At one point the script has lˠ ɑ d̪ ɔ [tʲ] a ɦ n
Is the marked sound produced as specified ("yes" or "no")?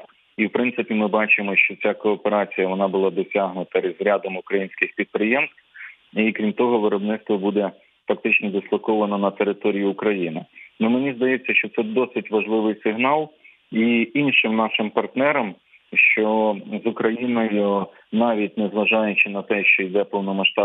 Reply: no